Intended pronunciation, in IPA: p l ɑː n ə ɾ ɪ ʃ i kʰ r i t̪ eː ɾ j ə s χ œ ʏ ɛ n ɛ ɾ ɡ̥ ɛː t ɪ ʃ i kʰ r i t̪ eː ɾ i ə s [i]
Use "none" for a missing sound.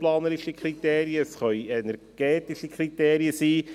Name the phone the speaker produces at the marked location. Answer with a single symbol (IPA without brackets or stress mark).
iː